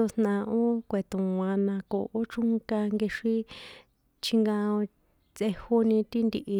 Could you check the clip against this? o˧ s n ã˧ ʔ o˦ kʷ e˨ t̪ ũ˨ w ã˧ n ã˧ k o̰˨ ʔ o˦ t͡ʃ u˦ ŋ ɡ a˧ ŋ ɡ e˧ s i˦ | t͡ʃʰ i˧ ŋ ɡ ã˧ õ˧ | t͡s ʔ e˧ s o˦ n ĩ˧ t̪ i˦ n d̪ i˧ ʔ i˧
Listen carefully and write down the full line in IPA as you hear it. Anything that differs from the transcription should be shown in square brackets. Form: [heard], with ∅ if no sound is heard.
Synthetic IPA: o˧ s n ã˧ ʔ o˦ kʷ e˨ t̪ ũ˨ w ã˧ n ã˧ k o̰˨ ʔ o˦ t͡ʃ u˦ ŋ [k] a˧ ŋ ɡ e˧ [ʂ] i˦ | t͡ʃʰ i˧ ŋ ɡ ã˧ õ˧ | t͡s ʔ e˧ [h] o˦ n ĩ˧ t̪ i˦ n d̪ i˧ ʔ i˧